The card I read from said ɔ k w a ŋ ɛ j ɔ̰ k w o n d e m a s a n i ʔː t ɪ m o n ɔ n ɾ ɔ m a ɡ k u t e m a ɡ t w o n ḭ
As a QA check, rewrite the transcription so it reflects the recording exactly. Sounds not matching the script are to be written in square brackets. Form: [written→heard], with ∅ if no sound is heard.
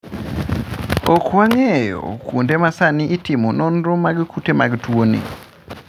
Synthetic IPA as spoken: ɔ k w a ŋ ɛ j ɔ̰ k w o n d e m a s a n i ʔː t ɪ m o n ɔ n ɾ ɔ m a ɡ k u t e m a ɡ t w o n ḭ